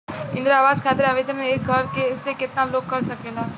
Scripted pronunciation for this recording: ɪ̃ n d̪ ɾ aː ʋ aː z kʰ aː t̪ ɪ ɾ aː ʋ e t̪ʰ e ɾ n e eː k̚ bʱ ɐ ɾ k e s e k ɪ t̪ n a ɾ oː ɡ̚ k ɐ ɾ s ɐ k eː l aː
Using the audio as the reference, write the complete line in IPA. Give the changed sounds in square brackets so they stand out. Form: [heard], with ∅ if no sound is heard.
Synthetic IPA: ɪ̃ n d̪ ɾ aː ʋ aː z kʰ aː t̪ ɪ ɾ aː ʋ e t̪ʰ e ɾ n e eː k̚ [ɡʱ] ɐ ɾ k e s e k ɪ t̪ n a [l] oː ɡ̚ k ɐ ɾ s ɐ k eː l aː